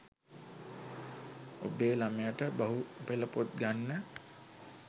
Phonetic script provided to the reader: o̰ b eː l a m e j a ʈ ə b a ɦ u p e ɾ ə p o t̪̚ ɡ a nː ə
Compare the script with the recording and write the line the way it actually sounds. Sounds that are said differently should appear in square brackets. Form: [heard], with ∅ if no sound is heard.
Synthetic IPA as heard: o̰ b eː l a m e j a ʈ ə b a ɦ u p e [l] ə p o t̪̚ ɡ a nː ə